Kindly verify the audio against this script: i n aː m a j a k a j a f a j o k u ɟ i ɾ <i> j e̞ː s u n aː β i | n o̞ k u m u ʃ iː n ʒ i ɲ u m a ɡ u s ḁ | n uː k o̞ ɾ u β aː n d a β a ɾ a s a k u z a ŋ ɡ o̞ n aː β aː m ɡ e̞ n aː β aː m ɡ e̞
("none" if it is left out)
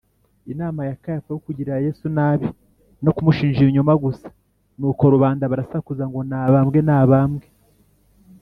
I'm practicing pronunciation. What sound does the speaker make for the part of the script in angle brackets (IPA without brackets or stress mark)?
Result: a